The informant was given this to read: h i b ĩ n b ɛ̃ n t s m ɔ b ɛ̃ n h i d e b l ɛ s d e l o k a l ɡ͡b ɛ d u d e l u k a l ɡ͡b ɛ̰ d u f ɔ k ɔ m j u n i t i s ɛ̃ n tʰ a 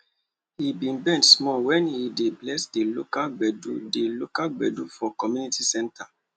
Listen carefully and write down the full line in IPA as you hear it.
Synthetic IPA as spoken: h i b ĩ n b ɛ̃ n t s m ɔ w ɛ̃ n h i d e b l ɛ s d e l o k a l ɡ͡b ɛ d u d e l o k a l ɡ͡b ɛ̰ d u f ɔ k ɔ m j u n i t i s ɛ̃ n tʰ a

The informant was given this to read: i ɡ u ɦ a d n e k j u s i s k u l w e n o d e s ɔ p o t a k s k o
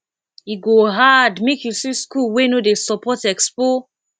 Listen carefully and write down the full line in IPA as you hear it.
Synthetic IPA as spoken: i ɡ o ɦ a d m e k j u s i s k u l w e n o d e s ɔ p ɔ t ɛ k s p o

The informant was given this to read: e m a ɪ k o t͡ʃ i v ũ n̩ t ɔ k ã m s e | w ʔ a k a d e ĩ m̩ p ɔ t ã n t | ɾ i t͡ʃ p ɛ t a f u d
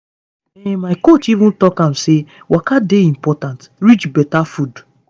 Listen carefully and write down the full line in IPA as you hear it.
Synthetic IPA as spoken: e m a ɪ k o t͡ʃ i v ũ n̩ t ɔ k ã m s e | w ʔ a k a d e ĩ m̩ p ɔ t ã n t | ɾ i t͡ʃ b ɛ t a f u d

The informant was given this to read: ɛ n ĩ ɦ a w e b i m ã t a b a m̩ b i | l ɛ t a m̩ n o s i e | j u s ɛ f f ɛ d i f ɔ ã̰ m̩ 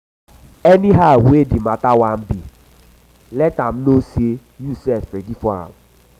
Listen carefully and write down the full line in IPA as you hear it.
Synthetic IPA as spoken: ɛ n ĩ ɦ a w e d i m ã t a w a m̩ b i | l ɛ t a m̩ n o s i e | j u s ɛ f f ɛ d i f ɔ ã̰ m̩

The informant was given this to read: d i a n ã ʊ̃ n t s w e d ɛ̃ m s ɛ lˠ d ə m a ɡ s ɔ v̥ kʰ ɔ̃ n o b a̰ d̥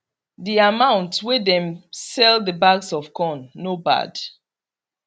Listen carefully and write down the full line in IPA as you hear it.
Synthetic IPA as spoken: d i a m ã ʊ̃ n t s w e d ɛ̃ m s ɛ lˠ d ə b a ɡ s ɔ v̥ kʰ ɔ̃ nː o b a̰ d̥

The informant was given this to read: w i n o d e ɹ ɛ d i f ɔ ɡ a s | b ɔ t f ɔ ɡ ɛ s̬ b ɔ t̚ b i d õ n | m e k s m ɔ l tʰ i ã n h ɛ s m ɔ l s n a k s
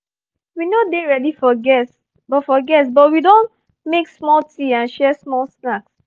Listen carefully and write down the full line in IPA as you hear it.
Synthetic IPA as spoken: w i n o d e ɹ ɛ d i f ɔ ɡ ɛ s | b ɔ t f ɔ ɡ ɛ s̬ b ɔ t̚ w i d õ n | m e k s m ɔ l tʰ i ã n ʃ ɛ s m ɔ l s n a k s

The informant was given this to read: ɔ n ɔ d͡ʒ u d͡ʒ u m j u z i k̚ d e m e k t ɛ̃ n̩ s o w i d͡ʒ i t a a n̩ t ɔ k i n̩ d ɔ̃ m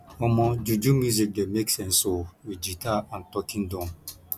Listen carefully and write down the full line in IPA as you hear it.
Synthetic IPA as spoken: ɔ m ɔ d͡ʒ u d͡ʒ u m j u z i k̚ d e m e k s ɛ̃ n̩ s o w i d͡ʒ i t a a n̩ t ɔ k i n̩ d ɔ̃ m

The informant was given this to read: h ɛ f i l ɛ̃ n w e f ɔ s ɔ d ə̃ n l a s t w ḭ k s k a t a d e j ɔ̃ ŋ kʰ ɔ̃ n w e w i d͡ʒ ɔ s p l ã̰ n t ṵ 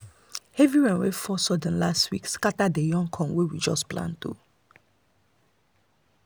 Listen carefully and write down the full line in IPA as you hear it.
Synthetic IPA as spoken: h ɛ v i ɹ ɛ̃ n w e f ɔ s ɔ d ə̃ n l a s t w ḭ k s k a t a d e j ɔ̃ ŋ kʰ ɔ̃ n w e w i d͡ʒ ɔ s p l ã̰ n t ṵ

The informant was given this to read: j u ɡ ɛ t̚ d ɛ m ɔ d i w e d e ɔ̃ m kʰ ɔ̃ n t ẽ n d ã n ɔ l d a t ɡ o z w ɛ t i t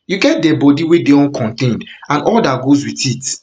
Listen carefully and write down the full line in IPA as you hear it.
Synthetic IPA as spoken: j u ɡ ɛ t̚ d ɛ b ɔ d i w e d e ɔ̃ n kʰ ɔ̃ n t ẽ n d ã n ɔ l d a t ɡ o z w i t i t

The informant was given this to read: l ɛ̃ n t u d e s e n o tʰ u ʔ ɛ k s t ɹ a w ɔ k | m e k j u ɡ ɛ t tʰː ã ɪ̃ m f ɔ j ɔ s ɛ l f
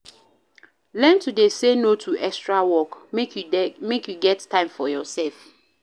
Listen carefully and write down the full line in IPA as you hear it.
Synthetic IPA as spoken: l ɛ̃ n t u d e s e n o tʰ u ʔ ɛ k s t ɹ a w ɔ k | m e k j u ɡ ɛ t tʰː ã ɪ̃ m f ɔ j ɔ s ɛ l f

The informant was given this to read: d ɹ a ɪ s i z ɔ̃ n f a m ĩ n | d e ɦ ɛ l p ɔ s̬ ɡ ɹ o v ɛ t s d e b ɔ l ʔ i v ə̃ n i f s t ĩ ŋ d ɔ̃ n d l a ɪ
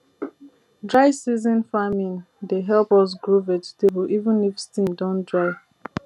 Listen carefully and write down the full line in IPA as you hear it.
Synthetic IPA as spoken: d ɹ a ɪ s i z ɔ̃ n f a m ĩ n | d e ɦ ɛ l p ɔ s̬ ɡ ɹ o v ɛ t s t e b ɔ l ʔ i v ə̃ n i f s t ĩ m d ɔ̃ n d ɹ a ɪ

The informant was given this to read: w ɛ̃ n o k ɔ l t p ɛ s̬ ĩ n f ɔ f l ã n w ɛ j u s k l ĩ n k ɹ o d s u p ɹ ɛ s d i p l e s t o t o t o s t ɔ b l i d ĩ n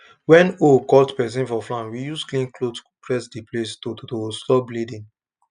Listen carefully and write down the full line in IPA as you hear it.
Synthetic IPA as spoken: w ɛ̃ n o k ɔ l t p ɛ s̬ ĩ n f ɔ f l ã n w i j u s k l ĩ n k l o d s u p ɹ ɛ s d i p l e s t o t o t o s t ɔ b l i d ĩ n

